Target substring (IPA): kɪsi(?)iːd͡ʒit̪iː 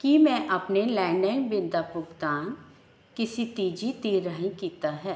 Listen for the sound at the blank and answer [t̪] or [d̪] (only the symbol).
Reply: t̪